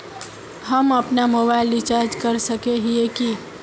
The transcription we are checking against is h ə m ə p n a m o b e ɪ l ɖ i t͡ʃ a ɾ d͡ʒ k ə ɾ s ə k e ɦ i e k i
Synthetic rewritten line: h ə m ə p n a m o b a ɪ l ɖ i t͡ʃ a ɾ d͡ʒ k ə ɾ s ə k e ɦ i e k i